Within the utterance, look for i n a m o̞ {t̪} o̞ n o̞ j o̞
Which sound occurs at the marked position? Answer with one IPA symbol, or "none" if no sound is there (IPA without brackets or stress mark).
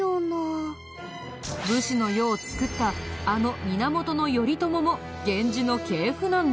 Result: t̪